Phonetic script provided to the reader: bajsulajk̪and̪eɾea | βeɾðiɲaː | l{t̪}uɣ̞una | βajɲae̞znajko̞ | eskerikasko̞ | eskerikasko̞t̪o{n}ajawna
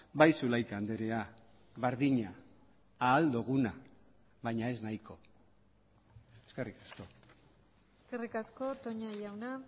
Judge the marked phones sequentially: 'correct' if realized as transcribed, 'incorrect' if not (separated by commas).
incorrect, incorrect